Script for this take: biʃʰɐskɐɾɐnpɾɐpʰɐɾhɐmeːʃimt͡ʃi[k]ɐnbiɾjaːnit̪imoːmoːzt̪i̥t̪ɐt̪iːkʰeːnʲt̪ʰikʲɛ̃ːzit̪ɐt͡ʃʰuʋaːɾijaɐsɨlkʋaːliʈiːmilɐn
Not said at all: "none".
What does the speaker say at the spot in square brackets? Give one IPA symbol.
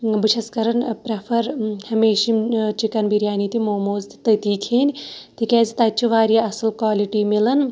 k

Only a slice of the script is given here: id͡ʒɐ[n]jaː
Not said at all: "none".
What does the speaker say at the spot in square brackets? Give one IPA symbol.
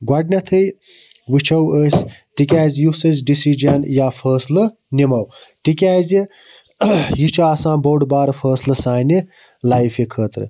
n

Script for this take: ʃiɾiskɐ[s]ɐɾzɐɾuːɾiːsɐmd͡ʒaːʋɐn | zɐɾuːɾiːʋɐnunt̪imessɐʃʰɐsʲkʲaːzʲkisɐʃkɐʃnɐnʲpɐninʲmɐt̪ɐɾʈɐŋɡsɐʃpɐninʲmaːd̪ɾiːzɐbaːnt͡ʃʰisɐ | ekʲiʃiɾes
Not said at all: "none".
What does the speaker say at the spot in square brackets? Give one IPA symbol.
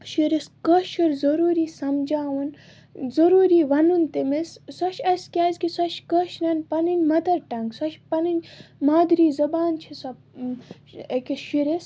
ʃ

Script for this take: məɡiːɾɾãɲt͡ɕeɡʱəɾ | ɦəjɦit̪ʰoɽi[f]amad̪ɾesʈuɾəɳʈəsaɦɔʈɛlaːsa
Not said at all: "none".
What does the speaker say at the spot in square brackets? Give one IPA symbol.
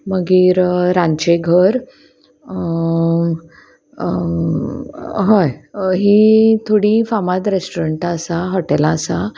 f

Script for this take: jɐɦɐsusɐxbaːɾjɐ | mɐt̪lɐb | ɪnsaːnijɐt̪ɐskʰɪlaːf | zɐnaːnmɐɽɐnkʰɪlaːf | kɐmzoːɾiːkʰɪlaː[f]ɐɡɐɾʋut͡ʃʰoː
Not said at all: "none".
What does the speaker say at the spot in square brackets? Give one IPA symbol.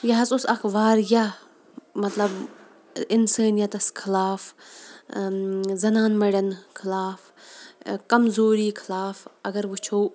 f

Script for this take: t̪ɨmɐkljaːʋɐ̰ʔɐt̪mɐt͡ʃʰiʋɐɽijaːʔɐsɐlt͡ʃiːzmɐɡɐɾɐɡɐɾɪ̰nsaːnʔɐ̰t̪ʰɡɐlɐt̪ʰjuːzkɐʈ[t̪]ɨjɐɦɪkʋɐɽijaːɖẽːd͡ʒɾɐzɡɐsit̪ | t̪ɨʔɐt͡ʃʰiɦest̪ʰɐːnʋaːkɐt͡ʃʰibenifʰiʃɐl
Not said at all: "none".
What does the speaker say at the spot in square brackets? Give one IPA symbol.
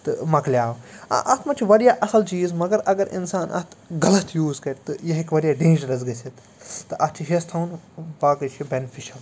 t̪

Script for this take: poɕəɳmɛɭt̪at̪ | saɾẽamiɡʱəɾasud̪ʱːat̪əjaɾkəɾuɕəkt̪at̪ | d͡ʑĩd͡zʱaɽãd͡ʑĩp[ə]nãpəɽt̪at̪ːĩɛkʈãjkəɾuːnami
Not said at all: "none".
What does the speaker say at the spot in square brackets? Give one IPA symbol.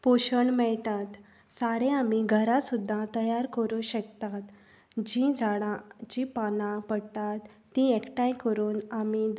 a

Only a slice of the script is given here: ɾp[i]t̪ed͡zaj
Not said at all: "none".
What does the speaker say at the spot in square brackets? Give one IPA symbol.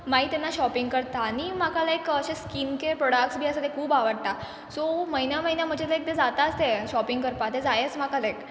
a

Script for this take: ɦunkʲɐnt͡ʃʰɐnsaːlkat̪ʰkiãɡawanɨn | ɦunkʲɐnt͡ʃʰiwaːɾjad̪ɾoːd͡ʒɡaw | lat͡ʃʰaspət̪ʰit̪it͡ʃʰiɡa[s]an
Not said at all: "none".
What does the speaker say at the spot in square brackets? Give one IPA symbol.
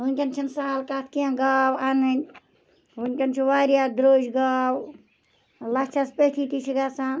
s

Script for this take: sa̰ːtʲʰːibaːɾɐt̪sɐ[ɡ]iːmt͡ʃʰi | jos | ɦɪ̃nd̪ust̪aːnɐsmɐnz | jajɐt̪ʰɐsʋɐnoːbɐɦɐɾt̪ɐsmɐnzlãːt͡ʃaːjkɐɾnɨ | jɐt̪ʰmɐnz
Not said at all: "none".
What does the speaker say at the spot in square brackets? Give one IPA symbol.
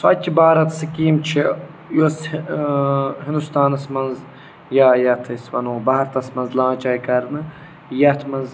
k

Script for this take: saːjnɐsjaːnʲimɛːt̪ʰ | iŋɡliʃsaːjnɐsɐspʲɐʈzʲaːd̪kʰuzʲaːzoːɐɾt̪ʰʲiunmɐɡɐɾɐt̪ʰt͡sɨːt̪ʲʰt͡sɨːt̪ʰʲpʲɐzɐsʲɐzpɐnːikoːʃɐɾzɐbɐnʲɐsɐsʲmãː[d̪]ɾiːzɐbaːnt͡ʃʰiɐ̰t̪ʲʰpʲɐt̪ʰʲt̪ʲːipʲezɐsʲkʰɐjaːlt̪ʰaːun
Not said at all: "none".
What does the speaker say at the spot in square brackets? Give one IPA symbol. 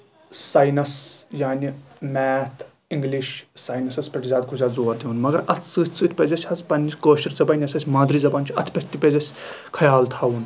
d̪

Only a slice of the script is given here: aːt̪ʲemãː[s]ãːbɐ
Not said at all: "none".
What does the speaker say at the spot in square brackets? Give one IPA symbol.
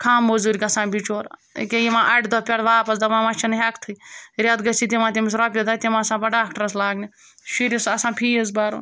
s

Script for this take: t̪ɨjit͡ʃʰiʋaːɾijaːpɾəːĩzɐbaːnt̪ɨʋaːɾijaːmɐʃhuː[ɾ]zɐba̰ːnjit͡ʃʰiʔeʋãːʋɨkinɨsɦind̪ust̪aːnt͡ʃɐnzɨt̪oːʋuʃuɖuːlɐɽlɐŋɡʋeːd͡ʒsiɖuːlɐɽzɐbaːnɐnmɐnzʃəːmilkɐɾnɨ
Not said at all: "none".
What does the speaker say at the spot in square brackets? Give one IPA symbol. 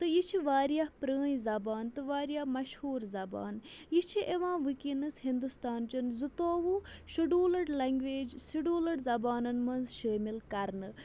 ɾ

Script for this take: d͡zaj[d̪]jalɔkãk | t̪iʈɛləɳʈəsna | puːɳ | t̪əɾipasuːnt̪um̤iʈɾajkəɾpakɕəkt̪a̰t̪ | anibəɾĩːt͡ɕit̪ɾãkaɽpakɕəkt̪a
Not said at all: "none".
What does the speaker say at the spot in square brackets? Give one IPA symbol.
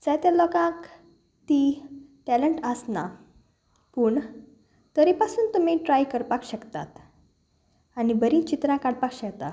t̪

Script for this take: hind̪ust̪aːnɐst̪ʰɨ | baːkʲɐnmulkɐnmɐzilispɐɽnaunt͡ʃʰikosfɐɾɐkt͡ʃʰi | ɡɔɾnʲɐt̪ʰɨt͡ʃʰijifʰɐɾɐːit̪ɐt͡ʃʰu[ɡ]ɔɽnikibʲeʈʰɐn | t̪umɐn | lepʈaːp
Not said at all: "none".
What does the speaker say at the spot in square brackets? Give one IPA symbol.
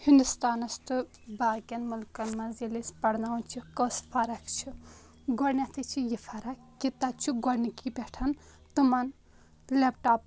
ɡ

